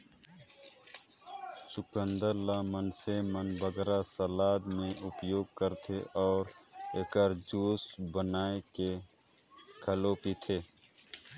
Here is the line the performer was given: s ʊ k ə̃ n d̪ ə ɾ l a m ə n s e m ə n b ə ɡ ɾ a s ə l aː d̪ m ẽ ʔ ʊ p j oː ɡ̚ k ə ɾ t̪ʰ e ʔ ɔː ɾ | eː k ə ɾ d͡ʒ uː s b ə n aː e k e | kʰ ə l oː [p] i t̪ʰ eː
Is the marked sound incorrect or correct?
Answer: correct